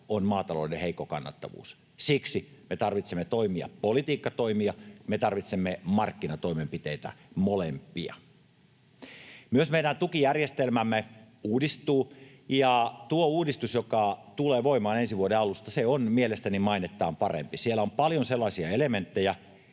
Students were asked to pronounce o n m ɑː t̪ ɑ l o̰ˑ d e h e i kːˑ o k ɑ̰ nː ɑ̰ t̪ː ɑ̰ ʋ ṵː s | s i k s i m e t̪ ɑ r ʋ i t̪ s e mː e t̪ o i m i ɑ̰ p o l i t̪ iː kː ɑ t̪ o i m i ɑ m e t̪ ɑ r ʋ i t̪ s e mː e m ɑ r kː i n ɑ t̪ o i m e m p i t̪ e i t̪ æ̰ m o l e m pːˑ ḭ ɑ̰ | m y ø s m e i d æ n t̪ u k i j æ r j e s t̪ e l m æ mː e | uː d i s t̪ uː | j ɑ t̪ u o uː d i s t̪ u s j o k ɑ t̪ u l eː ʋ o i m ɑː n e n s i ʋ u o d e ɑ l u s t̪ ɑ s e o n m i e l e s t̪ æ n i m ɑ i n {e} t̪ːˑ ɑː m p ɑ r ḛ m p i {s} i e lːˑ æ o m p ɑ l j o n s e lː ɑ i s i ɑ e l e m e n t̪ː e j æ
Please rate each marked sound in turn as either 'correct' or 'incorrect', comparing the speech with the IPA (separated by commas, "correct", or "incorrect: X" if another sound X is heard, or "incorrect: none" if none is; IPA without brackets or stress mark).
correct, correct